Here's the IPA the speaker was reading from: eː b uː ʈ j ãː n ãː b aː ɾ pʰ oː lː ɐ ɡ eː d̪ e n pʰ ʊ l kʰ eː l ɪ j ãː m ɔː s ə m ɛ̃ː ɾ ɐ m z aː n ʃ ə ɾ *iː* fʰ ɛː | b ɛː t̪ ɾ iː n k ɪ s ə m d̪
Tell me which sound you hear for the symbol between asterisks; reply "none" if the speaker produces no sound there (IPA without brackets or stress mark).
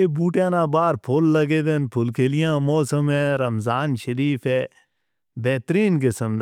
iː